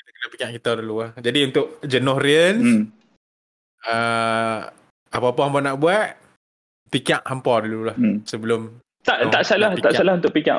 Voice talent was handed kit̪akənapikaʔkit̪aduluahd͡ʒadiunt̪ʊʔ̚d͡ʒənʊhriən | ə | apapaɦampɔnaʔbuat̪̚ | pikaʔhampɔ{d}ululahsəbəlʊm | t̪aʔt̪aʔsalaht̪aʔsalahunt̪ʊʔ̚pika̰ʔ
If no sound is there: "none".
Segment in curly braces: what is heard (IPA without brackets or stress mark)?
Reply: d